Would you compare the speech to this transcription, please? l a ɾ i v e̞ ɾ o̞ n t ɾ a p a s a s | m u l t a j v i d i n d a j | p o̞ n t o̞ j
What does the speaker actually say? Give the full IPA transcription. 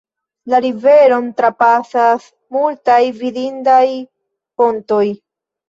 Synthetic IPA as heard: l a ɾ i v e̞ ɾ o̞ n t ɾ a p a s a s | m u l t a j v i d i n d a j | p o̞ n t o̞ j